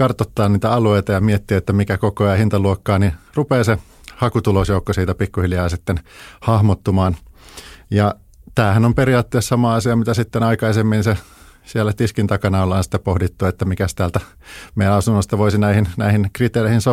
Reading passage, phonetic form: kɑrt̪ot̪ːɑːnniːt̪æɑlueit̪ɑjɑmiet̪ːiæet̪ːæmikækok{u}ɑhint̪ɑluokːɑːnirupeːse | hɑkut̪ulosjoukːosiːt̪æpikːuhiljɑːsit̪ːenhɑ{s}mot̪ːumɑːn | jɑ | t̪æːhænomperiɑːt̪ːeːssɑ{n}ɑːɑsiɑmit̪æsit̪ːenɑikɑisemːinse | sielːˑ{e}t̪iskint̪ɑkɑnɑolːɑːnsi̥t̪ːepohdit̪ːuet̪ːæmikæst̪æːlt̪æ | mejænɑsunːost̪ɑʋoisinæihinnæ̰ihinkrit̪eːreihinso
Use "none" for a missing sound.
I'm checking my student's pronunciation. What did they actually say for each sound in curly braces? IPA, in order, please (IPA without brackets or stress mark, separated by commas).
o, h, m, æ